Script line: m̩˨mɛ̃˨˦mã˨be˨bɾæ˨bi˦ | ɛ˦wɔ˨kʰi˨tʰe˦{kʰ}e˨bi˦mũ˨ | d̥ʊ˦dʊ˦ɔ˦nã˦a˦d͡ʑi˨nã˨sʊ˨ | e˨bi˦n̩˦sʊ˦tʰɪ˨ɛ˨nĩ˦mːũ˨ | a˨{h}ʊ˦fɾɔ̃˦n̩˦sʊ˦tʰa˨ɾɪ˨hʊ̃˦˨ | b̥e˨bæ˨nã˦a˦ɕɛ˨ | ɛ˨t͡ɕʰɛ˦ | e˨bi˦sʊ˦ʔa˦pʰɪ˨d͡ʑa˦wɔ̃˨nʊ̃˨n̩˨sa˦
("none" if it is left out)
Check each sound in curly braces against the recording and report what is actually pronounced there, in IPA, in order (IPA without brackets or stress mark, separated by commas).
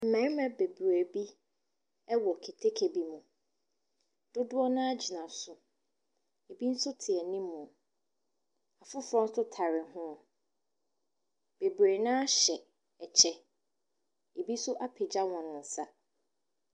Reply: kʰ, f